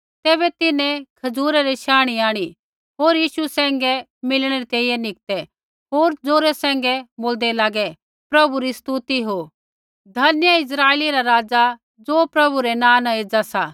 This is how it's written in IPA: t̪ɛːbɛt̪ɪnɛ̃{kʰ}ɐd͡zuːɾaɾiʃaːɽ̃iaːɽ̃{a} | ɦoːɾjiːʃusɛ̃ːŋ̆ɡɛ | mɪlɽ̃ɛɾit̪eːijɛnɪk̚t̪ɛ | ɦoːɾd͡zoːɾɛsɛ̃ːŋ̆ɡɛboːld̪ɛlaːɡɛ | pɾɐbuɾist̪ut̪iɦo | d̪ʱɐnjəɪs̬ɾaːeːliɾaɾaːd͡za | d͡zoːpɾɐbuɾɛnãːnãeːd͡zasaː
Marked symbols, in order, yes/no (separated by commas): yes, no